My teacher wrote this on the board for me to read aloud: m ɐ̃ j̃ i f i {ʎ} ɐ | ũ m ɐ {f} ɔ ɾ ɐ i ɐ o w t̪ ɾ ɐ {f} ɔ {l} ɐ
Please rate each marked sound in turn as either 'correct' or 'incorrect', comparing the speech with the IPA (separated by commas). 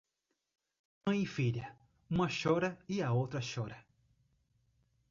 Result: correct, incorrect, incorrect, incorrect